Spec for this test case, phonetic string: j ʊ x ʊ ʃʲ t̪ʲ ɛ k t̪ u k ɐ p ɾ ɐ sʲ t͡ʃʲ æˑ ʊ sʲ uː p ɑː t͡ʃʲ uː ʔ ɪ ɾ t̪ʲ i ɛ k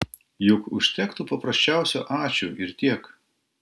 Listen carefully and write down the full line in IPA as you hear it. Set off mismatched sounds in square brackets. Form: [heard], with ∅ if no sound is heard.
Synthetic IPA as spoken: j ʊ [k] ʊ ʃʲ t̪ʲ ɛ k t̪ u [p] ɐ p ɾ ɐ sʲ t͡ʃʲ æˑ ʊ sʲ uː [ʔ] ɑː t͡ʃʲ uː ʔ ɪ ɾ t̪ʲ i ɛ k